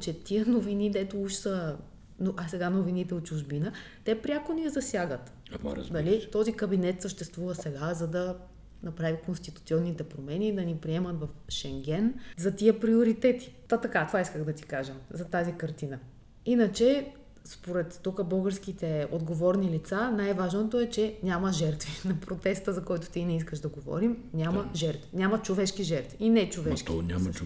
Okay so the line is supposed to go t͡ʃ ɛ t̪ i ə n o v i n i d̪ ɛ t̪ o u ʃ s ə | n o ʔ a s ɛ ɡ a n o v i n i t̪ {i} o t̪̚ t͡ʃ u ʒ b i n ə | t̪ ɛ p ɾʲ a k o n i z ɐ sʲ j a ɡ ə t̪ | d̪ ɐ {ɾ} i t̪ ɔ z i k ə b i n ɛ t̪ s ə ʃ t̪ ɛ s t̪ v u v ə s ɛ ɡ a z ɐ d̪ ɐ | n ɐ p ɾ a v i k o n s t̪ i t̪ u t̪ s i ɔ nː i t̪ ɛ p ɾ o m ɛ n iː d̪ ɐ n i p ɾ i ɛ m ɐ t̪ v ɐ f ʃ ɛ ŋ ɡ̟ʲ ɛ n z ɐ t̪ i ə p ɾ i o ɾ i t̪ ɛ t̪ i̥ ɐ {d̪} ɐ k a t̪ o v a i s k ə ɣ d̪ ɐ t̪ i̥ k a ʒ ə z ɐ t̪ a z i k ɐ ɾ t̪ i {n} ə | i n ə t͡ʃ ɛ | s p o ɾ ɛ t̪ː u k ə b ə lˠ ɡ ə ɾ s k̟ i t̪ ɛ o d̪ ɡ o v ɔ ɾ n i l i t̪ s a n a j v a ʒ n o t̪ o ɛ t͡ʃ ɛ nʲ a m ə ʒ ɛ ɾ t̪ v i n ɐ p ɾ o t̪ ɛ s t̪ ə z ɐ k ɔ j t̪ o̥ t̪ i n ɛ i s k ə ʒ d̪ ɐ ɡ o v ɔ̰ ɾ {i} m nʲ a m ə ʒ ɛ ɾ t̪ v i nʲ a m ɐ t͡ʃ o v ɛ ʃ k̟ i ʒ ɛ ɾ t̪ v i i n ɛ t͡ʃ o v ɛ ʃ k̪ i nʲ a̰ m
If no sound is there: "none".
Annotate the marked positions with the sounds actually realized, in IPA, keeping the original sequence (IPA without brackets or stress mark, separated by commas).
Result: ɛ, l, t̪, n, i